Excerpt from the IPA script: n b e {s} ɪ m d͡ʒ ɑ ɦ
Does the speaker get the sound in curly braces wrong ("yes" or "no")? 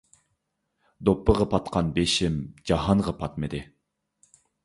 yes